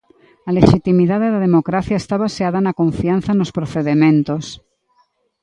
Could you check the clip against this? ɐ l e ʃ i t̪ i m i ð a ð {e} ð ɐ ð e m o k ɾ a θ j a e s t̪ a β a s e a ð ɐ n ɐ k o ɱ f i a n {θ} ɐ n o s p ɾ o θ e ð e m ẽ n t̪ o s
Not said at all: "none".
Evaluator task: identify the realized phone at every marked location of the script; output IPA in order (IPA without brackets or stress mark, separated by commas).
e, θ